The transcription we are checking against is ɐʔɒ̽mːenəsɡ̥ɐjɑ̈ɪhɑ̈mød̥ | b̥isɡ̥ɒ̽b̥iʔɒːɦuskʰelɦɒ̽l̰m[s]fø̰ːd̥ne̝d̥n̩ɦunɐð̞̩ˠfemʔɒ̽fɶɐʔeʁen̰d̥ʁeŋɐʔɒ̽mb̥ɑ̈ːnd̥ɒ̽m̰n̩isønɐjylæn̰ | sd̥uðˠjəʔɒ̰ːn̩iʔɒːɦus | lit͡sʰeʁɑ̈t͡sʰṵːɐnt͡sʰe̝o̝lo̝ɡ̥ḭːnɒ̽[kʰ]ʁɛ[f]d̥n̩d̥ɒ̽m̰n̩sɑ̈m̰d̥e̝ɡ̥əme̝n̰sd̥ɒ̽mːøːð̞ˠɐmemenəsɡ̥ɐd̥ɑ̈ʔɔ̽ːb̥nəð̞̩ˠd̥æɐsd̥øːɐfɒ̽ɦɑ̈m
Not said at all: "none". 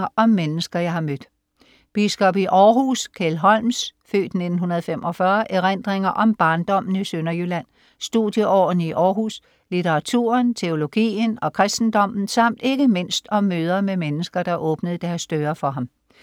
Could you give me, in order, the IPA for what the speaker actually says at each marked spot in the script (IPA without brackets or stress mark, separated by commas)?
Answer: s, kʰ, s